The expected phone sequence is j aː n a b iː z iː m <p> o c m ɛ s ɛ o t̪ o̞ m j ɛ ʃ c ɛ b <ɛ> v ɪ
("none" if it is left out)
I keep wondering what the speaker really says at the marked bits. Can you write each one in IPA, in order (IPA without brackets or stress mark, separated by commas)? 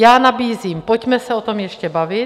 p, a